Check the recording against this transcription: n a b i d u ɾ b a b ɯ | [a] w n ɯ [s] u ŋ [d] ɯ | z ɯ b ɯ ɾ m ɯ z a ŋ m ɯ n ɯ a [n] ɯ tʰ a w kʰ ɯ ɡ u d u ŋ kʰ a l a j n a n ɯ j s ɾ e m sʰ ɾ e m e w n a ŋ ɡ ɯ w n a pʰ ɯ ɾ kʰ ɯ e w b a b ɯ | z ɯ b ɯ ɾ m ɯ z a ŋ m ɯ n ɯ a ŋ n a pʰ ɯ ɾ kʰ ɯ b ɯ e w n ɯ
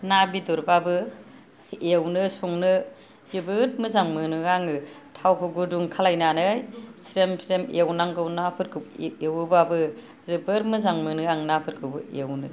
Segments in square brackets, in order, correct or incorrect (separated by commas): incorrect, correct, incorrect, incorrect